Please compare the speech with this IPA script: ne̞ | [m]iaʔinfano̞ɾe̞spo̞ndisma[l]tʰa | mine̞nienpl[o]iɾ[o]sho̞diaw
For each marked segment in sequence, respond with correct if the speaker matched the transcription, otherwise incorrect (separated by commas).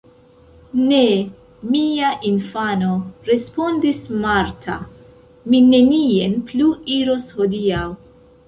correct, incorrect, incorrect, correct